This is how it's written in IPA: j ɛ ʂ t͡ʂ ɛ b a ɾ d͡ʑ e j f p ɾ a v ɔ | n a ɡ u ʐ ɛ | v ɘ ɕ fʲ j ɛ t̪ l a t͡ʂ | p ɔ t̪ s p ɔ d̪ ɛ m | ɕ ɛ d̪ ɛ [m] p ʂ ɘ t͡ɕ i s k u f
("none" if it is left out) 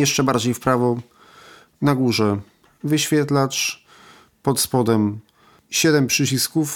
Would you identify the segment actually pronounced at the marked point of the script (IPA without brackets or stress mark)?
m